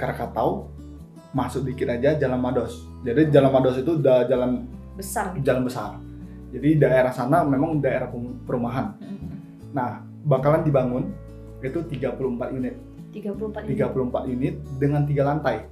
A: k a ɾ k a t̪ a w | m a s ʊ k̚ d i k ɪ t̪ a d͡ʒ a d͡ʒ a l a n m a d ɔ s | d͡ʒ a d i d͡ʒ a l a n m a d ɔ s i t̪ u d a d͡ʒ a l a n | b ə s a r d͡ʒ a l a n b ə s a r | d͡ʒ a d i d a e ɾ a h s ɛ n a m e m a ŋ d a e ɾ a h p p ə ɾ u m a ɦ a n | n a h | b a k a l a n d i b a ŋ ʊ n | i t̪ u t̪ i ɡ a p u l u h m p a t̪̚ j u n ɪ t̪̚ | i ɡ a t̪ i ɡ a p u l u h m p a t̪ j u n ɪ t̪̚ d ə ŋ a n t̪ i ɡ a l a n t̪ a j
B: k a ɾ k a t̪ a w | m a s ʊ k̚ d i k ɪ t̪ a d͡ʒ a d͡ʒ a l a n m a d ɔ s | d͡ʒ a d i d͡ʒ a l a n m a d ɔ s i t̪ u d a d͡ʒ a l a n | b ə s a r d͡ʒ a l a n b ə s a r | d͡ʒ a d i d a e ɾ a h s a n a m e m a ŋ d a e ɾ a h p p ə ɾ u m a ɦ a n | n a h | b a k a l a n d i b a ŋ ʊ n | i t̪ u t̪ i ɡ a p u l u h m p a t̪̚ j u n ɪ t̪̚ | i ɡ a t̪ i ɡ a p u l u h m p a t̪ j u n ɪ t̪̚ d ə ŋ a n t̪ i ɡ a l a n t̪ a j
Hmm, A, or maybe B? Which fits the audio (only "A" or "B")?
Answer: B